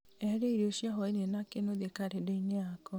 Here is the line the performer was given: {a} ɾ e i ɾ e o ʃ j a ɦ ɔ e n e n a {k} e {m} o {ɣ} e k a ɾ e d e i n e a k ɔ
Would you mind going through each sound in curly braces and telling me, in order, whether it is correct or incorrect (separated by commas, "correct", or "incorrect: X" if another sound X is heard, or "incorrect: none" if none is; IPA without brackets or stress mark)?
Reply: incorrect: ɛ, correct, incorrect: n, incorrect: ð